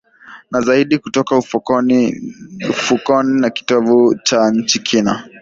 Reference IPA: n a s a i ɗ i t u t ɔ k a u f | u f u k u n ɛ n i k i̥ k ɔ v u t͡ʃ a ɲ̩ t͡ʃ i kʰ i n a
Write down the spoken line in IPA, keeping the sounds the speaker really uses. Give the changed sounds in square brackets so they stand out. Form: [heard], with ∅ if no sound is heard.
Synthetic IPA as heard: n a [z] a i ɗ i [k] u t ɔ k a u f | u f u k [ɔ] n [i] n [a] k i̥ [t] ɔ v u t͡ʃ a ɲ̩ t͡ʃ i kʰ i n a